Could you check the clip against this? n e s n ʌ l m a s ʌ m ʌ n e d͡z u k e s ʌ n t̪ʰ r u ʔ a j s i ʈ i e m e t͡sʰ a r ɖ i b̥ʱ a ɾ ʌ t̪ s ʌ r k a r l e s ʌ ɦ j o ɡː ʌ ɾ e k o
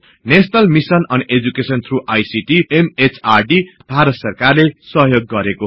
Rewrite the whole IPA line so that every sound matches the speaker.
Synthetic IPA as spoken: n e s n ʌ l m i s ʌ n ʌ n e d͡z u k e s ʌ n t̪ʰ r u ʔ a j s i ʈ i e m e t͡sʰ a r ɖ i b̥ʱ a ɾ ʌ t̪ s ʌ r k a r l e s ʌ ɦ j o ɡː ʌ ɾ e k o